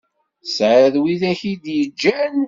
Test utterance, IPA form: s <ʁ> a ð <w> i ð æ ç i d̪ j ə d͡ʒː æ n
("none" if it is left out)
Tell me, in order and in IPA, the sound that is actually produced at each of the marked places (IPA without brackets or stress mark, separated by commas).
ʕ, w